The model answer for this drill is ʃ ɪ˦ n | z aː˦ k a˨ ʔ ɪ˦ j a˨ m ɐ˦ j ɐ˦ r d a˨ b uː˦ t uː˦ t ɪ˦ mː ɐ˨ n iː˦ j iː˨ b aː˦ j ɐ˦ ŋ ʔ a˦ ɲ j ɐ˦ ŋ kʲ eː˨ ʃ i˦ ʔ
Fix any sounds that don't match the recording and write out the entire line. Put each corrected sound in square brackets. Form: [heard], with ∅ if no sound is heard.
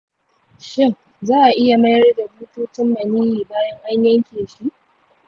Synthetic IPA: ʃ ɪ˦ [ŋ] | z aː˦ [ʔ] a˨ ʔ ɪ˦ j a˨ m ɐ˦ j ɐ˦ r d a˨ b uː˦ t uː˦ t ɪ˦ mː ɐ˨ n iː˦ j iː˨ b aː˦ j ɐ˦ ŋ ʔ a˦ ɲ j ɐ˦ ŋ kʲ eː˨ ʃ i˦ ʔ